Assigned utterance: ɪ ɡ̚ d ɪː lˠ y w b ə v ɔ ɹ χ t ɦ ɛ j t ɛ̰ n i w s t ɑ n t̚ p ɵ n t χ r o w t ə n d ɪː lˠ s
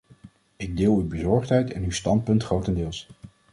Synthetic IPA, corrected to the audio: ɪ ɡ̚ d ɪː lˠ y w b ə z ɔ ɹ χ t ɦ ɛ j t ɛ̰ n y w s t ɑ n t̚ p ɵ n t χ r o w t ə n d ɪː lˠ s